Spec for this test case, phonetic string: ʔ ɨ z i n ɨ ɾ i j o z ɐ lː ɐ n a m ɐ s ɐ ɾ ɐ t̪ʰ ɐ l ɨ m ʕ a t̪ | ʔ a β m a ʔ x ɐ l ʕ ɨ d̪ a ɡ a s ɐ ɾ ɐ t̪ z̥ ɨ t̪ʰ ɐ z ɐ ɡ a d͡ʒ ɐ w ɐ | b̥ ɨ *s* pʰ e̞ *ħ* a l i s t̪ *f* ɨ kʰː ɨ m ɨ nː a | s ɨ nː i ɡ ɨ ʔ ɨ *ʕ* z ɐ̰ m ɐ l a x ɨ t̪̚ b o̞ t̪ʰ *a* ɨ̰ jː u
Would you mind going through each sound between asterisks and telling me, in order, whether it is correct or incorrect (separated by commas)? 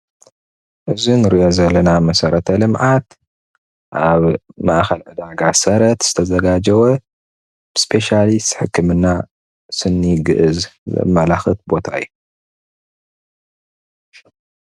correct, incorrect, incorrect, incorrect, correct